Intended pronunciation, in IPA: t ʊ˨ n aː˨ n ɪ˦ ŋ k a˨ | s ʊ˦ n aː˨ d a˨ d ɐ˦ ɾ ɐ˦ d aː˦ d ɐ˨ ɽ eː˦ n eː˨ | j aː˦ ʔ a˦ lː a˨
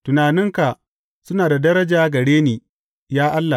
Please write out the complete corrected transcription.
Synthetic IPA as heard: t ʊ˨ n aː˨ n ɪ˦ ŋ k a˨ | s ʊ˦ n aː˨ d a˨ d ɐ˦ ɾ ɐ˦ d͡ʒ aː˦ ɡ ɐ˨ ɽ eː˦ n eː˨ | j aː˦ ʔ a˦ lː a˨